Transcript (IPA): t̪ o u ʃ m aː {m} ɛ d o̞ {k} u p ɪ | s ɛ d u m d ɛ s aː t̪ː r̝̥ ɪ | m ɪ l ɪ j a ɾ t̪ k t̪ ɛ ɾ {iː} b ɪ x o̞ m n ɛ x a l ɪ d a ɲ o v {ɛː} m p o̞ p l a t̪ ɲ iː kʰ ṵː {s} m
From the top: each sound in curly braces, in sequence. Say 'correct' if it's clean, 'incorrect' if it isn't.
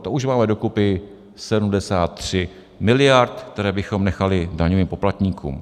correct, correct, incorrect, incorrect, incorrect

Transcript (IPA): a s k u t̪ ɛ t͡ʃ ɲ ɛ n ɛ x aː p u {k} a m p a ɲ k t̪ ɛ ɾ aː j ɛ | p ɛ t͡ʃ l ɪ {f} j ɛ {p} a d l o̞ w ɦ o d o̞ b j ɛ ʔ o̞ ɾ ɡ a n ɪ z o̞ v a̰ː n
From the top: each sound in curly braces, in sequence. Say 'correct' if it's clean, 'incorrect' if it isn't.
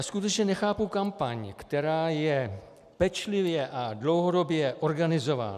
correct, incorrect, incorrect

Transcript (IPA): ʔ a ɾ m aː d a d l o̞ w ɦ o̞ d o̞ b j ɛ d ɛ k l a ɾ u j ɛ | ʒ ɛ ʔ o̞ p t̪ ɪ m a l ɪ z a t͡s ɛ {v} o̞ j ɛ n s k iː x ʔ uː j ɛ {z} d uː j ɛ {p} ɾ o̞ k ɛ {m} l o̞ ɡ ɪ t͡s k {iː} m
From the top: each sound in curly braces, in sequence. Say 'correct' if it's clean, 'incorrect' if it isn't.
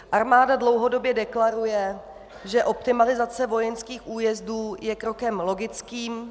correct, correct, incorrect, correct, correct

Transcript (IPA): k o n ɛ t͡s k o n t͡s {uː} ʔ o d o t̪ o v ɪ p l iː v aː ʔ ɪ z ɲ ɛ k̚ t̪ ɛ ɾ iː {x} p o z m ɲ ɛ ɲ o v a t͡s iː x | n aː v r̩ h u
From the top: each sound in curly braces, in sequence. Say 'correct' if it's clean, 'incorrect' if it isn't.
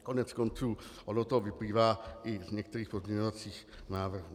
correct, correct

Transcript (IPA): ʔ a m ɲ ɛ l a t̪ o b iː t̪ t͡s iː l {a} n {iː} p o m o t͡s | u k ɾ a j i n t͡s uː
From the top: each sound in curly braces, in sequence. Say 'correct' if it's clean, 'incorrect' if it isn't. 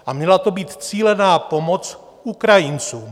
incorrect, incorrect

